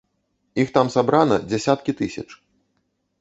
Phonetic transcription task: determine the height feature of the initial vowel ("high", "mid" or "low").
high